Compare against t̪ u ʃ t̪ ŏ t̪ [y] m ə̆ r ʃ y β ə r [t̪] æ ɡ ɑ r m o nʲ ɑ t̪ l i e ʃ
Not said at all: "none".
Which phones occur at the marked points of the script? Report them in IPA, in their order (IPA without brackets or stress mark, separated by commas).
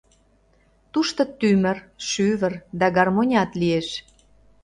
y, d̪